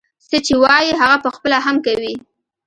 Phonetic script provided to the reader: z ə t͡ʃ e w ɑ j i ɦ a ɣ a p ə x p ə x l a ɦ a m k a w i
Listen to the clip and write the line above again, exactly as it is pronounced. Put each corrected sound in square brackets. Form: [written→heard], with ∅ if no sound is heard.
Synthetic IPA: [z→s] ə t͡ʃ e w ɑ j i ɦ a ɣ a p ə x p ə [x→∅] l a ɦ a m k a w i